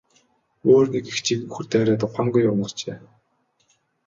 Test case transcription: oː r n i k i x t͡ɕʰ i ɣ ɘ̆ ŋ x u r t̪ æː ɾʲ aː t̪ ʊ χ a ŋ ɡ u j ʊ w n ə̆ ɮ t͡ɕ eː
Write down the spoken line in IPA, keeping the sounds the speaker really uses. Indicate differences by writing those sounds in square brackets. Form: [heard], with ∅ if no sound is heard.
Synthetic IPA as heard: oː r n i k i x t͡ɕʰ i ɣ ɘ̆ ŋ x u r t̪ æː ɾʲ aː t̪ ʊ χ a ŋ ɡ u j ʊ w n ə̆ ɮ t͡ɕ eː